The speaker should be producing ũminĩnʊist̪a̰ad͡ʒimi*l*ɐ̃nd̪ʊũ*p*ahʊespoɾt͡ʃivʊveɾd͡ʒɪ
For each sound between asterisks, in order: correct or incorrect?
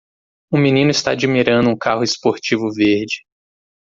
incorrect: ɾ, incorrect: k

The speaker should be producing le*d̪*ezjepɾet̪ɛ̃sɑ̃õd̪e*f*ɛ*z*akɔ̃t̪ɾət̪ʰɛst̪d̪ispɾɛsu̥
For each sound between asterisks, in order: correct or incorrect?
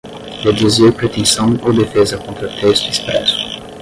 correct, correct, correct

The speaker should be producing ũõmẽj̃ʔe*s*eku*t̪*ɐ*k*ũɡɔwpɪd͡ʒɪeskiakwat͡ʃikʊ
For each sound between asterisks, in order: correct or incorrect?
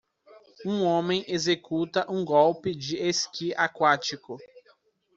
incorrect: z, correct, incorrect: ʔ

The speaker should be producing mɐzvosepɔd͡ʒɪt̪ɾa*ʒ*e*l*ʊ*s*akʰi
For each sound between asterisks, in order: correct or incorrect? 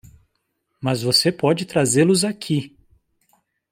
incorrect: z, correct, incorrect: z

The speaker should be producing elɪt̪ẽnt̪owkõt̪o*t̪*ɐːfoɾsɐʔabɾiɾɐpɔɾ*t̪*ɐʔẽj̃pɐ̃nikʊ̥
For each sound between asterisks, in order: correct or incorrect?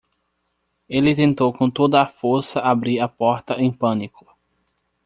incorrect: d̪, correct

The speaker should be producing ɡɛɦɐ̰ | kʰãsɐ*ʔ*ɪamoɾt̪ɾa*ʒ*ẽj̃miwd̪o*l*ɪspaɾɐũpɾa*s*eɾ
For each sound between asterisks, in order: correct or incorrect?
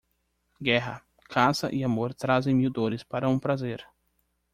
correct, incorrect: z, incorrect: ɾ, incorrect: z

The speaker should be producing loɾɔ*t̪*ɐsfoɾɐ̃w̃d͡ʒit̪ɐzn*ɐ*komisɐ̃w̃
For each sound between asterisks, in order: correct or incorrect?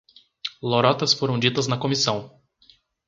correct, correct

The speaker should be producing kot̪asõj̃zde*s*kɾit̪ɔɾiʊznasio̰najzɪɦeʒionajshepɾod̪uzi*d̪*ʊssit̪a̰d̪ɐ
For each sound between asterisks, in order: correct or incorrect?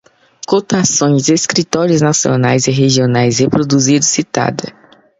correct, correct

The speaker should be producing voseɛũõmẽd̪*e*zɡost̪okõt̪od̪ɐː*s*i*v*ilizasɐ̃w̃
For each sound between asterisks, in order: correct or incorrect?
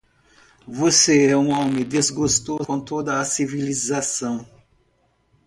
correct, correct, correct

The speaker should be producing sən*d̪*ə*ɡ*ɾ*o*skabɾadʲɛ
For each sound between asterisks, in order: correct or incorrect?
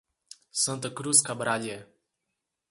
incorrect: t̪, incorrect: k, incorrect: u

